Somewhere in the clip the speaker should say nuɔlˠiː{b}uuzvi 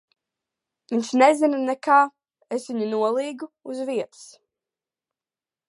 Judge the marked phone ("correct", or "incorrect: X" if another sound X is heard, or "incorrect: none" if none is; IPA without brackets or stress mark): incorrect: ɡ